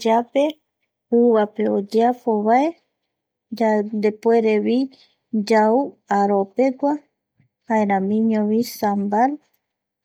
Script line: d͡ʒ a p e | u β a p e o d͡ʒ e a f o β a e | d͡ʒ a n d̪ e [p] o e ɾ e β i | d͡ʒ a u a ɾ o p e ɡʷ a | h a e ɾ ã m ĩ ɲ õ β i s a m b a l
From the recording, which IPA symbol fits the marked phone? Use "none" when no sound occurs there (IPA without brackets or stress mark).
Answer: p